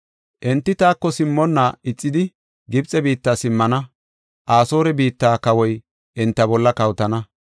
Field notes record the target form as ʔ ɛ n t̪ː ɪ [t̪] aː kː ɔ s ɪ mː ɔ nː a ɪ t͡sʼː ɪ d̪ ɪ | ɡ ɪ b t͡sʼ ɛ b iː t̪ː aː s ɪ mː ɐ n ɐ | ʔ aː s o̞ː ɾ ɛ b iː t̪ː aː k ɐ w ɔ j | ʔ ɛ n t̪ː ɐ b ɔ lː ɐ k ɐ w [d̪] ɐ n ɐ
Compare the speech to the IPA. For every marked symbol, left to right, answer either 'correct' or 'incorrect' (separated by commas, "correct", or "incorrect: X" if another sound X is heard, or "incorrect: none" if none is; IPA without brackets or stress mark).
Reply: correct, incorrect: t̪